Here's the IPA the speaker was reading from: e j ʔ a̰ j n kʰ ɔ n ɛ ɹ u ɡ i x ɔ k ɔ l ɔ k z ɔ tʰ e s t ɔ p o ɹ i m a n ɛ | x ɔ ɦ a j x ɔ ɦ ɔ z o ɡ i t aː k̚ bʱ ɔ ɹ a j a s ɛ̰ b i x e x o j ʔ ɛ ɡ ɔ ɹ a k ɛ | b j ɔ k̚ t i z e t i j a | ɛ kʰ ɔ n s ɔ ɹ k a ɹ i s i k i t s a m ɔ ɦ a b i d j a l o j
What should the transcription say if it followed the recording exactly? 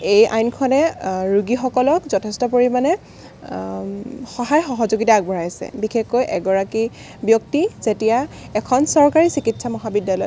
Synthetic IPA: e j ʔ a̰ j n kʰ ɔ n ɛ ɹ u ɡ i x ɔ k ɔ l ɔ k z ɔ tʰ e s t ɔ p o ɹ i m a n ɛ | x ɔ ɦ a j x ɔ ɦ ɔ z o ɡ i t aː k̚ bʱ ɔ ɹ a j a s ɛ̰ b i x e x o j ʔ ɛ ɡ ɔ ɹ a k i | b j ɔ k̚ t i z e t i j a | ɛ kʰ ɔ n s ɔ ɹ k a ɹ i s i k i t s a m ɔ ɦ a b i d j a l ɔ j